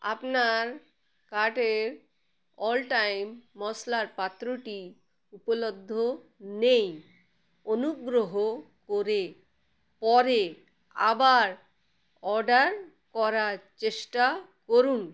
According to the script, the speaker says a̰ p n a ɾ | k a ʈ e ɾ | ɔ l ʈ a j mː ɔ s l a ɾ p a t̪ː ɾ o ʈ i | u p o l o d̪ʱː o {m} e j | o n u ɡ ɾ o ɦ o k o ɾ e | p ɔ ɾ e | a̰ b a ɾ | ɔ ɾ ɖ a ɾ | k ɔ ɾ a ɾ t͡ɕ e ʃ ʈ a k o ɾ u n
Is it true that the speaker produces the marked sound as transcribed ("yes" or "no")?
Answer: no